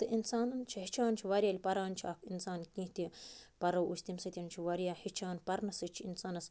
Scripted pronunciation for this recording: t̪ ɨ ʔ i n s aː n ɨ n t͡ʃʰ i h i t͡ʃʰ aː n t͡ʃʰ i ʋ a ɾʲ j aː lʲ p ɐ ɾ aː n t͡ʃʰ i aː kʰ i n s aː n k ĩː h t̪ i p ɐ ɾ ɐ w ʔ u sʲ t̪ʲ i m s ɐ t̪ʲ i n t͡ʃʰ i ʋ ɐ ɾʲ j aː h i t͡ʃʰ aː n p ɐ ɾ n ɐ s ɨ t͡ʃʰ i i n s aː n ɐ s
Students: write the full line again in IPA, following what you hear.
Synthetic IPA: t̪ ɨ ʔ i n s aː n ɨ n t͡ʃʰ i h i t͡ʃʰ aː n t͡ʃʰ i ʋ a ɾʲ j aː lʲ p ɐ ɾ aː n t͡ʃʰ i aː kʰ i n s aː n k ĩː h t̪ i p ɐ ɾ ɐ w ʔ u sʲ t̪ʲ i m s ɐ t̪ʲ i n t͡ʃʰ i ʋ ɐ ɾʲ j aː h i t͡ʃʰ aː n p ɐ ɾ n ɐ s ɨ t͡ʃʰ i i n s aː n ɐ s